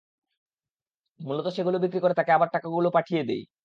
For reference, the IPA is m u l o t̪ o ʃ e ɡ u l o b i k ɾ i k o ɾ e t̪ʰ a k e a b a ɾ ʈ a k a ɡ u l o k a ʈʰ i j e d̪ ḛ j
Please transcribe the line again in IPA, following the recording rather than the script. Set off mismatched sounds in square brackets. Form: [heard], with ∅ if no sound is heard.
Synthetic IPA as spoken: m u l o t̪ o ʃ e ɡ u l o b i k ɾ i k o ɾ e [t̪] a k e a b a ɾ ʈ a k a ɡ u l o [p] a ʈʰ i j e d̪ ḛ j